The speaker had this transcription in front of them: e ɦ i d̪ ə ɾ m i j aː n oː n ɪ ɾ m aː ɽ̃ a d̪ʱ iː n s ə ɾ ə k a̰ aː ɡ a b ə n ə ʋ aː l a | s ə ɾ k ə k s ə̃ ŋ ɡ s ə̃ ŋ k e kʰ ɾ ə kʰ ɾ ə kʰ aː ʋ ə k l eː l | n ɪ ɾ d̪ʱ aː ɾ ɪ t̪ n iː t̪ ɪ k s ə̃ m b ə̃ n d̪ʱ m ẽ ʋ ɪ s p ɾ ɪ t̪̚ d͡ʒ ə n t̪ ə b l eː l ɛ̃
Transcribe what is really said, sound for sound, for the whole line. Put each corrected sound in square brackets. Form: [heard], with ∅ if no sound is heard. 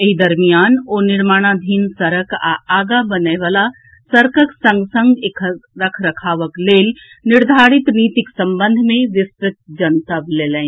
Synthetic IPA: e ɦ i d̪ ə ɾ m i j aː n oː n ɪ ɾ m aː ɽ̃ a d̪ʱ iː n s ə ɾ ə k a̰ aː ɡ a b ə n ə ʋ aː l a | s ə ɾ k ə k s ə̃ ŋ ɡ s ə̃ ŋ [ɡ] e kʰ ɾ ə kʰ ɾ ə kʰ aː ʋ ə k l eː l | n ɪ ɾ d̪ʱ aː ɾ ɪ t̪ n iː t̪ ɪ k s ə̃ m b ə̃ n d̪ʱ m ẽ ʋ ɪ s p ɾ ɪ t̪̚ d͡ʒ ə n t̪ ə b l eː l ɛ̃